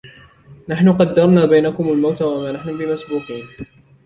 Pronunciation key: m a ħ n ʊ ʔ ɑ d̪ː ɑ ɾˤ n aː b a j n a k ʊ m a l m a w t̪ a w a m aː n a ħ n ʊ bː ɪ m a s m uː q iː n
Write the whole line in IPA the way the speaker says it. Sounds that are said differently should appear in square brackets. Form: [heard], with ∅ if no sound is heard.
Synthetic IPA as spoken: [n] a ħ n ʊ [q] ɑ d̪ː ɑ ɾˤ n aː b a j n a k ʊ m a l m a w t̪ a w a m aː n a ħ n ʊ [b] ɪ m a s [b] uː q iː n